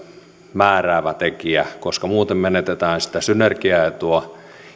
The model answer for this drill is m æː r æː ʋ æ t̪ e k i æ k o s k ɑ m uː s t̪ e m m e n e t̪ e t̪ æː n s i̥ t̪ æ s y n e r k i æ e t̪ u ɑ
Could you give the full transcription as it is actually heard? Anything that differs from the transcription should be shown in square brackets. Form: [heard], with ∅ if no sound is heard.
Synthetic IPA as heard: m æː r æː ʋ æ t̪ e k i æ k o s k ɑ m uː [∅] t̪ e m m e n e t̪ e t̪ æː n s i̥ t̪ æ s y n e r k i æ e t̪ u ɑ